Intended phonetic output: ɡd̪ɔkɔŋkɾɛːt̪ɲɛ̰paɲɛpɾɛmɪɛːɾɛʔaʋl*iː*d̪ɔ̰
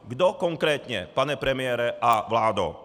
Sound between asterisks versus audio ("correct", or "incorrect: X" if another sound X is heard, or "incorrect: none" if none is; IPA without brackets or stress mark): incorrect: aː